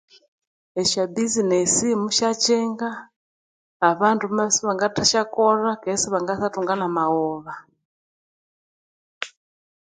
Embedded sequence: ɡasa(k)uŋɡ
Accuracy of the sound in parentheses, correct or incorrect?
incorrect